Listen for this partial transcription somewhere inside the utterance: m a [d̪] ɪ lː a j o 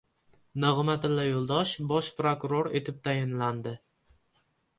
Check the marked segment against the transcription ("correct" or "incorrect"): incorrect